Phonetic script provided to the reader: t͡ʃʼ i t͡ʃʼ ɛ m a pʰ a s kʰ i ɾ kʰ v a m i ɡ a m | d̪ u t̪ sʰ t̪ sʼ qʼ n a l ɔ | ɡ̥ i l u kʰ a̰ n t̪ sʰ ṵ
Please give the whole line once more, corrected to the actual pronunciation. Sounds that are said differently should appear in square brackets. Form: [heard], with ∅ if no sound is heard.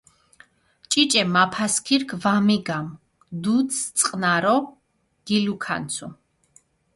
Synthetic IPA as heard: t͡ʃʼ i t͡ʃʼ ɛ m a pʰ a s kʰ i ɾ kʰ v a m i ɡ a m | d̪ u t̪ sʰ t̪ sʼ qʼ n a [ɾ] ɔ | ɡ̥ i l u kʰ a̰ n t̪ sʰ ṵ